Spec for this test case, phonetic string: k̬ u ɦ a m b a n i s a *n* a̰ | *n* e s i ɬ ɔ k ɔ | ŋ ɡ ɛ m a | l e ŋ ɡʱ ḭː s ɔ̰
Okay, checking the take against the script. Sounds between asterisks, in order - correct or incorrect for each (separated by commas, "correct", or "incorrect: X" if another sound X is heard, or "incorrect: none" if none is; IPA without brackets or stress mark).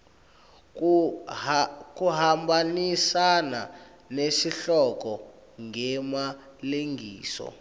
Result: correct, correct